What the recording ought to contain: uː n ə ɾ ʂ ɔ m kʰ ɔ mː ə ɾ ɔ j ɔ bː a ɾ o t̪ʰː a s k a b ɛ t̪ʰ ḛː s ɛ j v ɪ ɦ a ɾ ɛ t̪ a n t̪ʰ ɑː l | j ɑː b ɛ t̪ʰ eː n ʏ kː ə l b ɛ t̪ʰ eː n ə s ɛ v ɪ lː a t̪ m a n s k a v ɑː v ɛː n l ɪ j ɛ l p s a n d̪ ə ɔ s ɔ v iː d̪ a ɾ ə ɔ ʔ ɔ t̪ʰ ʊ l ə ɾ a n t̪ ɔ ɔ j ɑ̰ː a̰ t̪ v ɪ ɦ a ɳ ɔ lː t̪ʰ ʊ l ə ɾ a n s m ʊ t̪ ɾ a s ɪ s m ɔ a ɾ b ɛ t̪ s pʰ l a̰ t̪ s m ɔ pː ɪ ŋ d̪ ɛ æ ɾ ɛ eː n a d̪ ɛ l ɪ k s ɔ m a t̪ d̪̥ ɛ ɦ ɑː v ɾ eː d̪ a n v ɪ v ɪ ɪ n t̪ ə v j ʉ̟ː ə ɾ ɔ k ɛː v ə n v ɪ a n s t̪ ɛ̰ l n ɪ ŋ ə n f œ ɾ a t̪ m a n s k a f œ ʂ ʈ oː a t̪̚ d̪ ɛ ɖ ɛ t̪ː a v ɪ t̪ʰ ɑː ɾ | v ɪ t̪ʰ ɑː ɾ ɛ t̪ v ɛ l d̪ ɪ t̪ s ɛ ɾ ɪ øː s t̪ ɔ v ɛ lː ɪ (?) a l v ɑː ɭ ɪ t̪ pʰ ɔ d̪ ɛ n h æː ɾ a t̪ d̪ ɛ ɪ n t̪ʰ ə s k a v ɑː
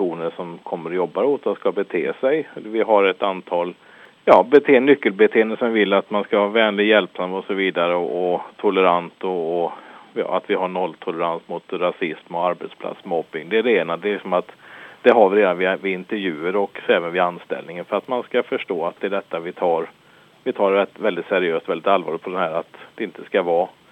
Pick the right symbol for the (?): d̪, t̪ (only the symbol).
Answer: t̪